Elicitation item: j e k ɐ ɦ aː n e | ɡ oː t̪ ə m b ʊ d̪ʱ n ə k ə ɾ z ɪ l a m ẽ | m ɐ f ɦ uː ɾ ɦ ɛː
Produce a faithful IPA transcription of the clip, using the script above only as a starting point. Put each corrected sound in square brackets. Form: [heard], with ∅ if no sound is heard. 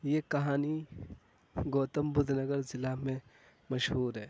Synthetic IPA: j e k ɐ ɦ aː n [i] | ɡ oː t̪ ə m b ʊ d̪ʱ n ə [ɡ] ə ɾ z ɪ l a m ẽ | m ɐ [ʃ] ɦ uː ɾ ɦ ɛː